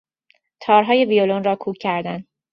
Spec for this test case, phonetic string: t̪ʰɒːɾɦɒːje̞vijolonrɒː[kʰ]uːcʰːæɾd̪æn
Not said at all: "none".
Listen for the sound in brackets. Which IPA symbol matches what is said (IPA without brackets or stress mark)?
kʰ